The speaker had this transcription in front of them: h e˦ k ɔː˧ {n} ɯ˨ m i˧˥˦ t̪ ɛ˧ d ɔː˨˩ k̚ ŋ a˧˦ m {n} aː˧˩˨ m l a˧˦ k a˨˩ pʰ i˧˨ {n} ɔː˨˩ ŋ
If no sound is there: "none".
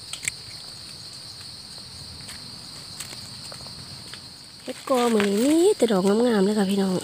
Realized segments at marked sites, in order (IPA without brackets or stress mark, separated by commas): m, ŋ, n